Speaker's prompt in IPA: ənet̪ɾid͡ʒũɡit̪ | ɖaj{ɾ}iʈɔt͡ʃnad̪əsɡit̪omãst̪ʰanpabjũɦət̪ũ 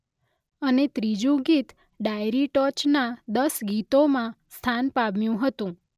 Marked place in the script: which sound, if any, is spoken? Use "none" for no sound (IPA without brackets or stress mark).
ɾ